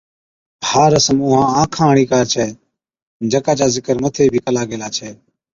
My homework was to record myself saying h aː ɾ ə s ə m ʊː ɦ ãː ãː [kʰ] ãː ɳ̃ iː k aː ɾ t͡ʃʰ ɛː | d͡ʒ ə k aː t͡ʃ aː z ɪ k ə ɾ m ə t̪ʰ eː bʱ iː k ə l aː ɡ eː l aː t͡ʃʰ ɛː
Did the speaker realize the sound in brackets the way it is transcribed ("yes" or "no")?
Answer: yes